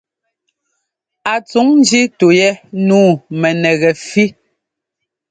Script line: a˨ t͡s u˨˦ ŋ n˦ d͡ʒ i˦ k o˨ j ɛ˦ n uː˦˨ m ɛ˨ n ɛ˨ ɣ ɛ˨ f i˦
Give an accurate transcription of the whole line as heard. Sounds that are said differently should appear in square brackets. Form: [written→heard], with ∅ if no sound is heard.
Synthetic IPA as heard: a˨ t͡s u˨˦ ŋ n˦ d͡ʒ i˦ [k→t] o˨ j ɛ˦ n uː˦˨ m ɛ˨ n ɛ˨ ɣ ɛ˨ f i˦